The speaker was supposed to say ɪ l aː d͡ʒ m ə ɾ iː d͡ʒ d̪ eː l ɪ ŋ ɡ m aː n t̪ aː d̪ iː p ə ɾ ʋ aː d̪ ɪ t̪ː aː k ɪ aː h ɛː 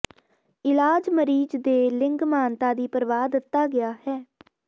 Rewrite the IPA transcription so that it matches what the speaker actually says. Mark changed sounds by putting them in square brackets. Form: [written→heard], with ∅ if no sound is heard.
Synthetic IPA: ɪ l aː d͡ʒ m ə ɾ iː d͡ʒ d̪ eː l ɪ ŋ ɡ m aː n t̪ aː d̪ iː p ə ɾ ʋ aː d̪ ɪ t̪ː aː [k→ɡ] ɪ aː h ɛː